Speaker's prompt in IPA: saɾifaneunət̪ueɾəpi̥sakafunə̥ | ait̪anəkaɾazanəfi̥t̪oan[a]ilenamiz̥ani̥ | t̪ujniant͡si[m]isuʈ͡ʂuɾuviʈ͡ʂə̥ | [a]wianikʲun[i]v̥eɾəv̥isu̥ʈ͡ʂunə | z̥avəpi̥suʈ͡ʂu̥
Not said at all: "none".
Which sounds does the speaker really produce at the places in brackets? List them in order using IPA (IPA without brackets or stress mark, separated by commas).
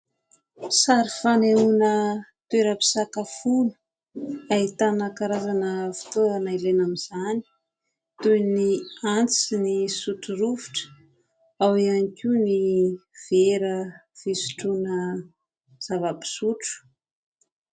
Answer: a, n, a, i